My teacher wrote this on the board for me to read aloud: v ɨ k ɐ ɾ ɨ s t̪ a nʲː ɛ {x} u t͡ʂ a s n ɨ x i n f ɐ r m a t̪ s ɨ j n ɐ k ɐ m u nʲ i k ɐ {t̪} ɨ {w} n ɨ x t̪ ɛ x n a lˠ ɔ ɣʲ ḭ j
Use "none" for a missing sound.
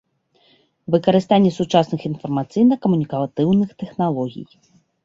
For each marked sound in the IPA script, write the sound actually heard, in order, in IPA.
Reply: s, t̪, w

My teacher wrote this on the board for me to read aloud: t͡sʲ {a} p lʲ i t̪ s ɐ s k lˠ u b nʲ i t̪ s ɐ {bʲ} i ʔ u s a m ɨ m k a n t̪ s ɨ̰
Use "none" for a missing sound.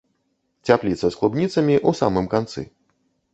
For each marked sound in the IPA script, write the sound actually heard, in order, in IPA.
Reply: a, mʲ

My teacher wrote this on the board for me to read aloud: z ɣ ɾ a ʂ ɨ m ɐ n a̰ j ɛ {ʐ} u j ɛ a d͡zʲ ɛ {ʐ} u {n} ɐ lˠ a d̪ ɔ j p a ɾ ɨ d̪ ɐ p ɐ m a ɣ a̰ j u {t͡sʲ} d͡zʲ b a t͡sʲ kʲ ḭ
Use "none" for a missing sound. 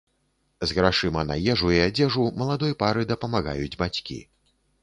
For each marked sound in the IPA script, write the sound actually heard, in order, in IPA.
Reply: ʐ, ʐ, m, none

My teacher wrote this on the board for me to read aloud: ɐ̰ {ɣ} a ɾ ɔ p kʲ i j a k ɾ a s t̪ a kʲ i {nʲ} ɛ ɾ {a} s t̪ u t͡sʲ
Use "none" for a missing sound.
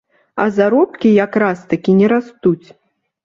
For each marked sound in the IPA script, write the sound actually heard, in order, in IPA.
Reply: z, nʲ, a

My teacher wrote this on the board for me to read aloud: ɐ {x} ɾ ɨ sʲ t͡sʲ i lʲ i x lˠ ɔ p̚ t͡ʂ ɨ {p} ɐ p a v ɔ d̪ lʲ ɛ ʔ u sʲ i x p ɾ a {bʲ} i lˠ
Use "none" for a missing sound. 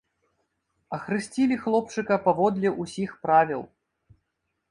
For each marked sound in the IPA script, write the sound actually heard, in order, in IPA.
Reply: x, k, vʲ

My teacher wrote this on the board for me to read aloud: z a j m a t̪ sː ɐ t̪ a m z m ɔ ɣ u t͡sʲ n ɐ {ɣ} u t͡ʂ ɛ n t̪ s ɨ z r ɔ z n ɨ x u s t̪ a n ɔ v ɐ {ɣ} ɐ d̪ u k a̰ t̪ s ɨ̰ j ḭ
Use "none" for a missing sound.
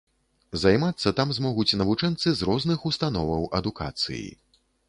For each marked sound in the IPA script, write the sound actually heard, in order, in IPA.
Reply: v, w

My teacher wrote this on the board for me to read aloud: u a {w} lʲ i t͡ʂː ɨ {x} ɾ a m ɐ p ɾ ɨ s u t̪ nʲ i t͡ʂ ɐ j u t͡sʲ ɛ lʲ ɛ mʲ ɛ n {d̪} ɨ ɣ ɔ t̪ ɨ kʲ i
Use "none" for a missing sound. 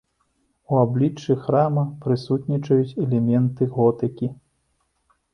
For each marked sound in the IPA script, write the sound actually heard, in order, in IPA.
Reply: b, x, t̪

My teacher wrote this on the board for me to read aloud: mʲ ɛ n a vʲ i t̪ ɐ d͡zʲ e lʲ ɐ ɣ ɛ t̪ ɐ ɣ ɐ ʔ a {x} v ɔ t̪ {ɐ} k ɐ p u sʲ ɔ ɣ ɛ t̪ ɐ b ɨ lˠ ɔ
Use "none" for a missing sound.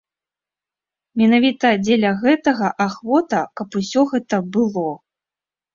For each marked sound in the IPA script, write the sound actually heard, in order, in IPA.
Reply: x, ɐ

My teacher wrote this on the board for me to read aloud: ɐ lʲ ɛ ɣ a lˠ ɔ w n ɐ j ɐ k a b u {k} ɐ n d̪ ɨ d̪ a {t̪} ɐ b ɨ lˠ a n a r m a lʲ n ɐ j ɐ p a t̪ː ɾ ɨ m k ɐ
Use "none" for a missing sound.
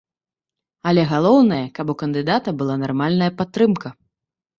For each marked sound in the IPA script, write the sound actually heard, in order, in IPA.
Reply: k, t̪

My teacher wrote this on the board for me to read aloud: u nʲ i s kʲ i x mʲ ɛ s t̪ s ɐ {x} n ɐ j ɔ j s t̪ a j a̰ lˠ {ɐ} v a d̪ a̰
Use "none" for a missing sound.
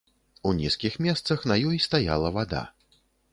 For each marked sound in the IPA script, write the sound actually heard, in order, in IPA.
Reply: x, ɐ

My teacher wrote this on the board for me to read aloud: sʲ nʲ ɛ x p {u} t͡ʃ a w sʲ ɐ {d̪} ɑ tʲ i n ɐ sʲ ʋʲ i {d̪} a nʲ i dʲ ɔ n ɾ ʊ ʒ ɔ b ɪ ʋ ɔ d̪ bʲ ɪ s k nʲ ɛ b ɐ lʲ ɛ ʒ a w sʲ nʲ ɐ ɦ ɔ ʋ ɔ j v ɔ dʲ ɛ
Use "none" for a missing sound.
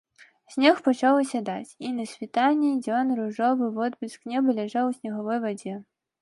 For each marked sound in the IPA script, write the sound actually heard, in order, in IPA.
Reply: ɔ, d̪, t̪

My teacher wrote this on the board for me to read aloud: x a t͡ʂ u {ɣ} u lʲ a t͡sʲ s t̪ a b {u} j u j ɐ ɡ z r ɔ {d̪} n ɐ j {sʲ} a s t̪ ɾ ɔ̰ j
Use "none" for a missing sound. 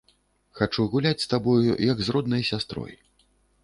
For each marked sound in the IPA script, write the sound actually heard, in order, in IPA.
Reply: ɣ, ɔ, d̪, sʲ

